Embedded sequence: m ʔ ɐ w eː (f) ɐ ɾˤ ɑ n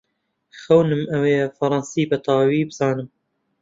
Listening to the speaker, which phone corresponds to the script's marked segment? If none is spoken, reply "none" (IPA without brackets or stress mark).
f